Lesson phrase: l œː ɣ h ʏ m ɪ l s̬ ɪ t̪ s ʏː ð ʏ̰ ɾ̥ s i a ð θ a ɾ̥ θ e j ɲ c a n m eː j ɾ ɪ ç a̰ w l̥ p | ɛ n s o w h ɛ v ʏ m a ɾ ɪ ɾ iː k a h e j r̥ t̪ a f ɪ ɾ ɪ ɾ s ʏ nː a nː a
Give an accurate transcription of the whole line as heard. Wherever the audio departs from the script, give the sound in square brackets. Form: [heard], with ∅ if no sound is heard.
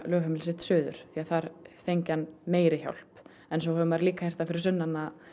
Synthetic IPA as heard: l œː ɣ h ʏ m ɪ l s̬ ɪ t̪ s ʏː ð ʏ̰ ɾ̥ [θ] i a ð θ a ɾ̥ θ e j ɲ c a n m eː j ɾ ɪ ç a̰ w l̥ p | ɛ n s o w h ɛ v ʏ m a ɾ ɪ [l] iː k a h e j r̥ t̪ a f ɪ ɾ ɪ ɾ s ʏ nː a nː a